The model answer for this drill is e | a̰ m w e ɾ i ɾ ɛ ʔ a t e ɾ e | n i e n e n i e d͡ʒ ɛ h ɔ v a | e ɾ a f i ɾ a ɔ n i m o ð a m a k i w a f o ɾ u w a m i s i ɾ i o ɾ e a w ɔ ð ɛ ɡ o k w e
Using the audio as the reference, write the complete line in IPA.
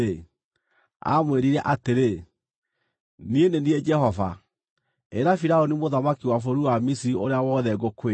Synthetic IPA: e | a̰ m w e ɾ i ɾ ɛ ʔ a t e ɾ e | n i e n e n i e d͡ʒ ɛ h ɔ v a | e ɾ a f i ɾ a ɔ n i m o ð a m a k i w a f o ɾ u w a m i s i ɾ i o ɾ e a w ɔ ð ɛ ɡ o k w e

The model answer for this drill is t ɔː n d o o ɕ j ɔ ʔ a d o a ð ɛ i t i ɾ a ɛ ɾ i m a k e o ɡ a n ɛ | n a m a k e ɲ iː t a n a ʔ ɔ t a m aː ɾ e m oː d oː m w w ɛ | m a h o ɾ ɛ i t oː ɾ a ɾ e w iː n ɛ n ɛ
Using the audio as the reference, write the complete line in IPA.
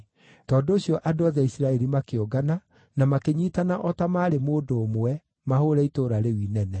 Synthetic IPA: t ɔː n d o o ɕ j ɔ ʔ a d o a ð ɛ i s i ɾ a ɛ ɾ i m a k e o ɡ a n a | n a m a k e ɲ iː t a n a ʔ ɔ t a m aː ɾ e m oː d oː m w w ɛ | m a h o ɾ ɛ i t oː ɾ a ɾ e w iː n ɛ n ɛ

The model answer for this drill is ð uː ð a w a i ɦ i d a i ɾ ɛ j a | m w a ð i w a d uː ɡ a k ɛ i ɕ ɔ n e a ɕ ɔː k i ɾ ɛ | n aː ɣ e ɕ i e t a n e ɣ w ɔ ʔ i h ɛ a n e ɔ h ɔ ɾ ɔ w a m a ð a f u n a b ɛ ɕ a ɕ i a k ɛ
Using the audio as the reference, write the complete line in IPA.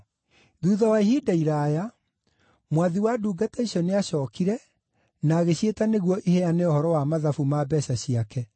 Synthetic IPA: ð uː ð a w a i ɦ i d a i ɾ a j a | m w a ð i w a d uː ɡ a t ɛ i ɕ ɔ n e a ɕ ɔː k i ɾ ɛ | n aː ɣ e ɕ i e t a n e ɣ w ɔ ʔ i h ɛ a n e ɔ h ɔ ɾ ɔ w a m a ð a f u m a b ɛ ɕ a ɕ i a k ɛ

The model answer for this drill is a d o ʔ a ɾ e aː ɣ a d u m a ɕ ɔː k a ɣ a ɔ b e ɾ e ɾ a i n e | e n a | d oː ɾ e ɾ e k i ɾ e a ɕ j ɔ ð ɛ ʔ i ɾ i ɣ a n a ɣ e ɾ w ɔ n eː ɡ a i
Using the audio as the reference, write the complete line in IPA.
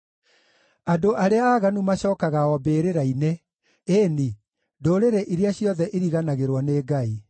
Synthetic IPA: a d o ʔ a ɾ e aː ɣ a n u m a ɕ ɔː k a ɣ a ɔ b e ɾ e ɾ a i n e | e n i | d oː ɾ e ɾ e ʔ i ɾ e a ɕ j ɔ ð ɛ ʔ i ɾ i ɣ a n a ɣ e ɾ w ɔ n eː ɡ a i

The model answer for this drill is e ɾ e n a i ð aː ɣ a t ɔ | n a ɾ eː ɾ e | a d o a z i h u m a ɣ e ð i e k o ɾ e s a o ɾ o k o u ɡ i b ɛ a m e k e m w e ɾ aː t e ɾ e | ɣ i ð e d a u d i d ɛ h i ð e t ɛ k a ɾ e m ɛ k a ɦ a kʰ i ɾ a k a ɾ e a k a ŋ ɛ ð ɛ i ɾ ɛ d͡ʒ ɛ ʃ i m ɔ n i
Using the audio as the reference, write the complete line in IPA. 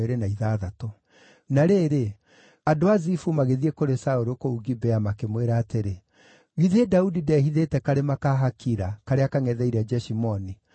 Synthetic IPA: e ɾ e n a i ð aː ð a t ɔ | n a ɾ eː ɾ e | a d o a z i f u m a ɣ e ð i e k o ɾ e s a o ɾ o k o u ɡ i b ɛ a m a k e m w e ɾ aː t e ɾ e | ɣ i ð e d a u d i d ɛ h i ð e t ɛ k a ɾ e m a k a ɦ a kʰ i ɾ a k a ɾ e a k a ŋ ɛ ð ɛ i ɾ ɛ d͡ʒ ɛ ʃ i m ɔ n i

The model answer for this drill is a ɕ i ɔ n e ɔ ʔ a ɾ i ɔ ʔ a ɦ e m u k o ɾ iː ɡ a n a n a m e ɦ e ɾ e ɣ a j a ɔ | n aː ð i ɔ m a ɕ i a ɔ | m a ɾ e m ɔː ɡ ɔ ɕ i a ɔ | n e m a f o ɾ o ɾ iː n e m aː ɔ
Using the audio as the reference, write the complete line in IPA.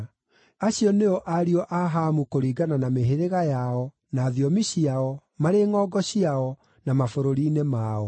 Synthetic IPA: a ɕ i ɔ n e ɔ ʔ a ɾ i ɔ ʔ a ɦ a m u k o ɾ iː ɡ a n a n a m e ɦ e ɾ e ɣ a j a ɔ | n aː ð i ɔ m i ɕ i a ɔ | m a ɾ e ŋ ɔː ɡ ɔ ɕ i a ɔ | n a m a f o ɾ o ɾ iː n e m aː ɔ

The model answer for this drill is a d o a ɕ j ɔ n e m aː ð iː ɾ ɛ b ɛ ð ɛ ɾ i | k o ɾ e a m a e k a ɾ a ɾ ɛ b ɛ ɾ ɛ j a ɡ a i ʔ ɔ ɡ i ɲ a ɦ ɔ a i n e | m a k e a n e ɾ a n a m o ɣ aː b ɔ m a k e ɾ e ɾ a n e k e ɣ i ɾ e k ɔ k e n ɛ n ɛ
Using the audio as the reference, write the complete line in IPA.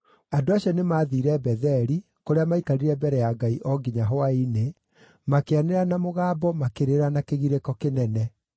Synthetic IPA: a d o a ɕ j ɔ n e m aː ð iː ɾ ɛ b ɛ ð ɛ ɾ i | k o ɾ e a m a i k a ɾ i ɾ ɛ b ɛ ɾ ɛ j a ɡ a i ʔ ɔ ɡ i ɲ a ɦ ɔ a i n e | m a k e a n e ɾ a n a m o ɣ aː b ɔ m a k e ɾ e ɾ a n a k e ɣ i ɾ e k ɔ k e n ɛ n ɛ

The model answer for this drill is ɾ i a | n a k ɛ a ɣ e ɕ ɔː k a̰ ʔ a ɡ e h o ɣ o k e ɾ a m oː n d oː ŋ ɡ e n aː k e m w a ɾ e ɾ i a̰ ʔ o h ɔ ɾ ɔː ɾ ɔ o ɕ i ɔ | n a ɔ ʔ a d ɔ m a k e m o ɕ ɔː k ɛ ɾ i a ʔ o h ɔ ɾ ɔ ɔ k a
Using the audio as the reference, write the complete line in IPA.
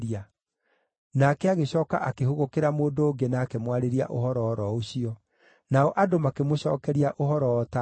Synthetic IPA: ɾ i a | n a k ɛ a ɣ e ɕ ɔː k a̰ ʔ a k e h o ɣ o k e ɾ a m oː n d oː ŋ ɡ e n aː k e m w a ɾ e ɾ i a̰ ʔ o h ɔ ɾ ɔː ɾ ɔ o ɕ i ɔ | n a ɔ ʔ a d o m a k e m o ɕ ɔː k ɛ ɾ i a ʔ o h ɔ ɾ ɔ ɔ t a

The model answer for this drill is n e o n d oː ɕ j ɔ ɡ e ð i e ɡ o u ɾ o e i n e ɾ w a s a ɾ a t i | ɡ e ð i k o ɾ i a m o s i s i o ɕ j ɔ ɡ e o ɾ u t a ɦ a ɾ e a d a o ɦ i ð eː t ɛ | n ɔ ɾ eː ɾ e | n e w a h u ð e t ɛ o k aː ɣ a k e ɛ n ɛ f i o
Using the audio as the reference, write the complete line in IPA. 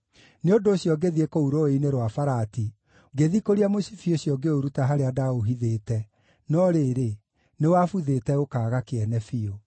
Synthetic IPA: n e o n d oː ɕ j ɔ ɡ e ð i e k o u ɾ o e i n e ɾ w a f a ɾ a t i | ɡ e ð i k o ɾ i a m o s i f i o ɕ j ɔ ɡ e o ɾ u t a ɦ a ɾ e a d a o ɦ i ð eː t ɛ | n ɔ ɾ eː ɾ e | n e w a f u ð e t ɛ o k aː ɣ a k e ɛ n ɛ f i o

